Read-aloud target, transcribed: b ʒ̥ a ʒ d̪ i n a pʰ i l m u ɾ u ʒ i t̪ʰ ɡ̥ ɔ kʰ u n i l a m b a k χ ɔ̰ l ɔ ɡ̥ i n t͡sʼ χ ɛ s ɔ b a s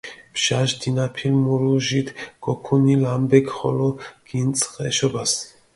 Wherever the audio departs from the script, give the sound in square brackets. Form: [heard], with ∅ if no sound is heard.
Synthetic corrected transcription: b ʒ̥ a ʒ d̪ i n a pʰ i l m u ɾ u ʒ i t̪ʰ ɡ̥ ɔ kʰ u n i l a m b [ɛ] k χ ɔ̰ l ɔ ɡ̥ i n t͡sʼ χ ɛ [ʃ] ɔ b a s